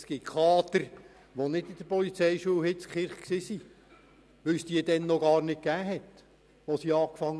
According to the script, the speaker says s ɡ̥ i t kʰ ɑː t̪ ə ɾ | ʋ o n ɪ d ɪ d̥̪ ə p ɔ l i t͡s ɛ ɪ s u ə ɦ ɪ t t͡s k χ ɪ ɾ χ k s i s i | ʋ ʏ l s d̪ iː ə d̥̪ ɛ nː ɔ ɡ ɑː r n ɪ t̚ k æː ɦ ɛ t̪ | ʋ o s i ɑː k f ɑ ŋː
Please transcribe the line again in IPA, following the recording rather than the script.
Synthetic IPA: s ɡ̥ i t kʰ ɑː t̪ ə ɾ | ʋ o n ɪ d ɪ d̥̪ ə p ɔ l i t͡s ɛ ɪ ʃ u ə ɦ ɪ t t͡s k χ ɪ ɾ χ k s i s i | ʋ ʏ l s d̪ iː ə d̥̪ ɛ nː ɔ ɡ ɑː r n ɪ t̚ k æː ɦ ɛ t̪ | ʋ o s i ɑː k f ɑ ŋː